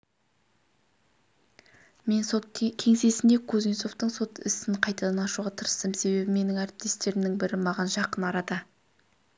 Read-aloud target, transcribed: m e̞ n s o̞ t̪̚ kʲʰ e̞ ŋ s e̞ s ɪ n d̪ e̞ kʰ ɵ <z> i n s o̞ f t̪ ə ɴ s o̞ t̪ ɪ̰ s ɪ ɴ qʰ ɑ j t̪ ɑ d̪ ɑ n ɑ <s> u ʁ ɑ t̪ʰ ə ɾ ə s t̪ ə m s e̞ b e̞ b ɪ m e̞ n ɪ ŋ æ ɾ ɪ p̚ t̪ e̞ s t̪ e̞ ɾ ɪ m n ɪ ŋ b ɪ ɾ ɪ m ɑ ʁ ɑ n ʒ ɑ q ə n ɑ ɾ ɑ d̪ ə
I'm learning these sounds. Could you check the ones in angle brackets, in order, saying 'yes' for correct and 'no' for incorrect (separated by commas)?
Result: yes, no